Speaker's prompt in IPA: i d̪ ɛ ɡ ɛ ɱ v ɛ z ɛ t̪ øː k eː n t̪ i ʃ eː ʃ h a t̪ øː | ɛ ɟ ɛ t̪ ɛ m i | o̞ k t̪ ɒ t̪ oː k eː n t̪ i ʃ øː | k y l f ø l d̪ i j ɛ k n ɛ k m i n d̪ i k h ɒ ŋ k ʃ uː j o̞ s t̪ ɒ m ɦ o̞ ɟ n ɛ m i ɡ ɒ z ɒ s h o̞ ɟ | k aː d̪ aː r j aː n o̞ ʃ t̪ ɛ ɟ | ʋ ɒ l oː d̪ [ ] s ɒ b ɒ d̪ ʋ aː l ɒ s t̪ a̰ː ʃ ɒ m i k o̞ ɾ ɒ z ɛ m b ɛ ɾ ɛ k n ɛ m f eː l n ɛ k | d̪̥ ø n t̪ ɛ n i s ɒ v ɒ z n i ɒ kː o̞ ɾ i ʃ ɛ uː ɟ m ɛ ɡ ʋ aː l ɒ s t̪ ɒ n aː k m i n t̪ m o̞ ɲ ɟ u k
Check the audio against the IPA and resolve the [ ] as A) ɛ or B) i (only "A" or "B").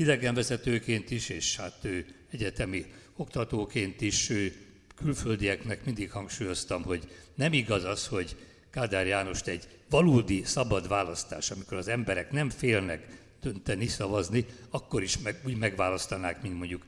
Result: B